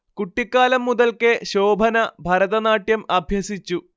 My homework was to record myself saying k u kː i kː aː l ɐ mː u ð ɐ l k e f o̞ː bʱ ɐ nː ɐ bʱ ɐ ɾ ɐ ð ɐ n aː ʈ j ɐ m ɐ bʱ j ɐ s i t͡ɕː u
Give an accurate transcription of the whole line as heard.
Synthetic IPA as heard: k u ʈː i kː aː l ɐ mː u ð ɐ l k e ɕ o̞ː bʱ ɐ n ɐ bʱ ɐ ɾ ɐ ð ɐ n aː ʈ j ɐ m ɐ bʱ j ɐ s i t͡ɕː u